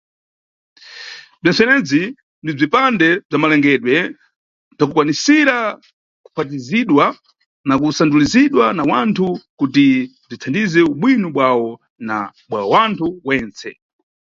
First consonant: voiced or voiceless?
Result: voiced